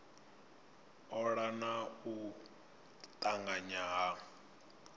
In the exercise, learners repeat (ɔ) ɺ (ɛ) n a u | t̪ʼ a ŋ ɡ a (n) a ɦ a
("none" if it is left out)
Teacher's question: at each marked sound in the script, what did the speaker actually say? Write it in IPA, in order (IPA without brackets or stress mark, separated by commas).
ɔ, a, ɲ